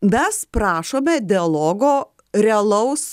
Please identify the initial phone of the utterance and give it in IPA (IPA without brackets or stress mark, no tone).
mʲ